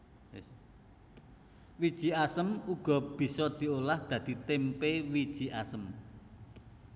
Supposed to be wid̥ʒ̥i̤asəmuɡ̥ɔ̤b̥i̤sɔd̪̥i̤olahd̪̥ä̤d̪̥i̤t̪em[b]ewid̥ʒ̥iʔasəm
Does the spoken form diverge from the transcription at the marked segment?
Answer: yes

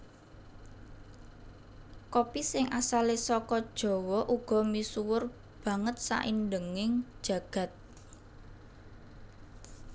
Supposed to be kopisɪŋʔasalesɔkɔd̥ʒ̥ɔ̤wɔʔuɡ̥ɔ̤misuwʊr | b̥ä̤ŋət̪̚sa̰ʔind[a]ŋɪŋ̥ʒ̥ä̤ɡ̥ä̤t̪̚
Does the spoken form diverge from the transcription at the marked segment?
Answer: yes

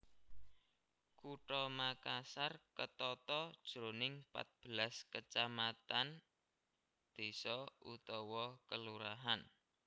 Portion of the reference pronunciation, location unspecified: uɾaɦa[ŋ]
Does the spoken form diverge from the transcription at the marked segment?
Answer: yes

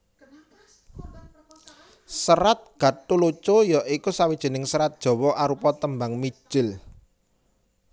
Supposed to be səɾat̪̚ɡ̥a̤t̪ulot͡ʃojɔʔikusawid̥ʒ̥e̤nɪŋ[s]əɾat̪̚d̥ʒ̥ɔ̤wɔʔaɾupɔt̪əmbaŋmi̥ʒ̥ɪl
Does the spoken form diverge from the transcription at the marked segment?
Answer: no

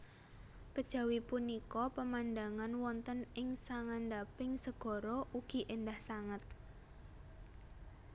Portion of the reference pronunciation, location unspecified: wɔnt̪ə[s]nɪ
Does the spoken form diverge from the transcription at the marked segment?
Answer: yes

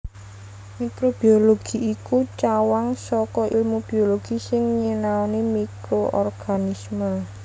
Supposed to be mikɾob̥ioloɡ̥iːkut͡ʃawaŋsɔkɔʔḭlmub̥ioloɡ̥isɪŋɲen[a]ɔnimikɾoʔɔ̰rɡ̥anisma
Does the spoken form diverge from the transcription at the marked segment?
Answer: no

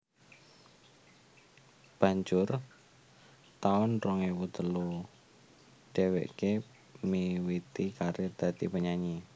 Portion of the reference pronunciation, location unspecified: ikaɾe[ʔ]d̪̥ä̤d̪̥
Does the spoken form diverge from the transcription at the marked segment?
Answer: yes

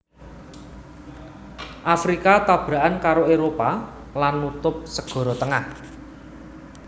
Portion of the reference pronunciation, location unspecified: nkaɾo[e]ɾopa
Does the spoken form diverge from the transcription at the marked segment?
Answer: no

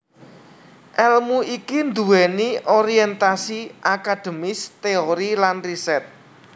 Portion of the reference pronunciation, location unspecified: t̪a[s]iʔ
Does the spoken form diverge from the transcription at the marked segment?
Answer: no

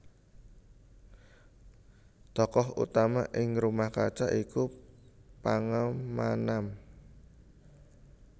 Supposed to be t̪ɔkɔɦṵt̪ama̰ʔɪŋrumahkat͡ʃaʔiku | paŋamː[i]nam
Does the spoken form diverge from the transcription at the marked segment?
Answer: yes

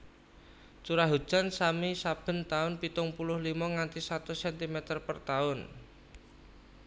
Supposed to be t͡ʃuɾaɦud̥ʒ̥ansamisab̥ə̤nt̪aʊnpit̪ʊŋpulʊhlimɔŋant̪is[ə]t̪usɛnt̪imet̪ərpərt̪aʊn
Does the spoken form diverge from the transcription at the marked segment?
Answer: yes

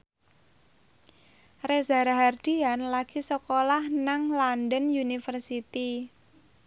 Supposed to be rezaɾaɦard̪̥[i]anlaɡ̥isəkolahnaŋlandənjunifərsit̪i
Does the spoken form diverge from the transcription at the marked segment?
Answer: no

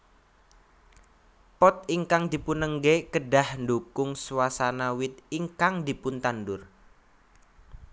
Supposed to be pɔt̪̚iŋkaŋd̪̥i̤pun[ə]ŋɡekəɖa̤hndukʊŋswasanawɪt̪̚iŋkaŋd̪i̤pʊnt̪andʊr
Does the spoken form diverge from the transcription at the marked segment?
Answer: no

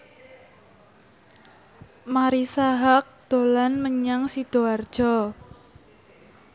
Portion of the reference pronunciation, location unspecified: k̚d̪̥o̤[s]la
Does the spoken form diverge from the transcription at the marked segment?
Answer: yes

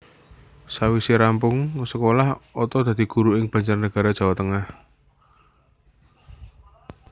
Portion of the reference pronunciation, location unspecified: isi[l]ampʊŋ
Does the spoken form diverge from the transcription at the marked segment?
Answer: yes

